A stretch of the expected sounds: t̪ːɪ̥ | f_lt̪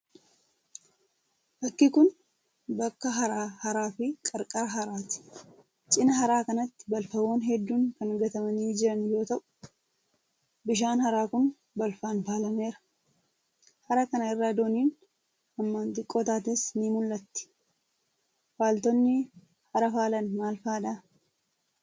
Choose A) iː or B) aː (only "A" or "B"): B